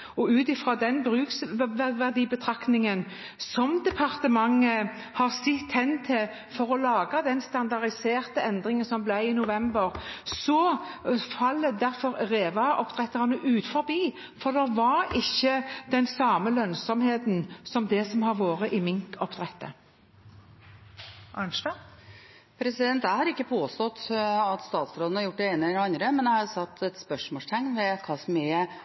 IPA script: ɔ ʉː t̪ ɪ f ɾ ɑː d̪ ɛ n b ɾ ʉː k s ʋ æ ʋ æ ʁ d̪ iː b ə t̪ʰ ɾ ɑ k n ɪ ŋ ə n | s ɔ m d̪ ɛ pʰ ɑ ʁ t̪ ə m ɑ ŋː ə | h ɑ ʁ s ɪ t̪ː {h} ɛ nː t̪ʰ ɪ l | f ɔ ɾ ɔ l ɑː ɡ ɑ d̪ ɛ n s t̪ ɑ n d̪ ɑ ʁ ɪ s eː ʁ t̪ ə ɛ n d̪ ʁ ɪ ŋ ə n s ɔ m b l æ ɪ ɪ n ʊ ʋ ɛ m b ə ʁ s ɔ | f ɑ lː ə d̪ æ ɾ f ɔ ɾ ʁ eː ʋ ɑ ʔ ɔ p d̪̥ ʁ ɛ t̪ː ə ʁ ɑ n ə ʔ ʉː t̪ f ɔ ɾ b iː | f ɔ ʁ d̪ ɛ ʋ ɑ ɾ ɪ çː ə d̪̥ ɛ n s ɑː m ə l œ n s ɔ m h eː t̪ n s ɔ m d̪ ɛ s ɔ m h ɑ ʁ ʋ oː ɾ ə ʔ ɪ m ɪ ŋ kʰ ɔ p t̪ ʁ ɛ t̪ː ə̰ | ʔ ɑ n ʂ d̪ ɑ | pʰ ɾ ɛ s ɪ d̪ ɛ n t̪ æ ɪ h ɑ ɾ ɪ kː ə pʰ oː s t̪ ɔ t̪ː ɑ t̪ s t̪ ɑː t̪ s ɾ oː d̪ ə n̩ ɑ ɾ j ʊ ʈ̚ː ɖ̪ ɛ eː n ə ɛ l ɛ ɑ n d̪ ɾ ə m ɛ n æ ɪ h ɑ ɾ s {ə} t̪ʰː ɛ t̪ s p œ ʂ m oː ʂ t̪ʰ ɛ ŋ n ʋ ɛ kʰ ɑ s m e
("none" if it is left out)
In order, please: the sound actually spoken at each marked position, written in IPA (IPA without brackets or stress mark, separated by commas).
h, ɑ